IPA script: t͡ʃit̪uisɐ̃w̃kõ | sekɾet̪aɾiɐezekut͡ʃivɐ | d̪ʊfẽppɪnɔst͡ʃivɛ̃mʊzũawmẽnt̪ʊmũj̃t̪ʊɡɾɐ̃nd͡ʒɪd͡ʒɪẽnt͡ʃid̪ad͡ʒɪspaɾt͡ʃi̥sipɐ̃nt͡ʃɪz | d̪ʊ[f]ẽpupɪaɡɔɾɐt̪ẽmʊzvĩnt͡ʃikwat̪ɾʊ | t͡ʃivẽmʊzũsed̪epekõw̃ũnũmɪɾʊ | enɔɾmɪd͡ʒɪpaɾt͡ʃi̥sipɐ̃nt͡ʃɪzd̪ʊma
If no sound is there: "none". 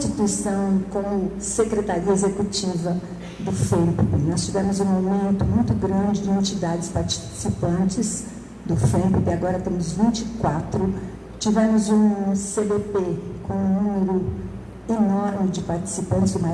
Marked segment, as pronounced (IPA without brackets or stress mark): f